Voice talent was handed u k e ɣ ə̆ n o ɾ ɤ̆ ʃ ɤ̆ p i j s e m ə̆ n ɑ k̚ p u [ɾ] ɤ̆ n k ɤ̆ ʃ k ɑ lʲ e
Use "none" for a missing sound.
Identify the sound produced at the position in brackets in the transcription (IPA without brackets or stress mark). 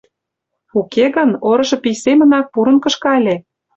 ɾ